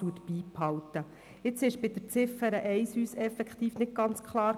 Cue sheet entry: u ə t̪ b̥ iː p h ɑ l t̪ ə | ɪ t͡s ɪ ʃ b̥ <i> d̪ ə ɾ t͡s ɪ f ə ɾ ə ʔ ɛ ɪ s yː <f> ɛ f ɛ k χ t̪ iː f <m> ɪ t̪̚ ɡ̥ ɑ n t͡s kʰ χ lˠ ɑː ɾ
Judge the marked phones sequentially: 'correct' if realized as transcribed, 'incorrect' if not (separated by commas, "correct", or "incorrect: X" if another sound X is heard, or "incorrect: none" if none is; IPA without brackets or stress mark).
incorrect: ɪ, incorrect: s, incorrect: n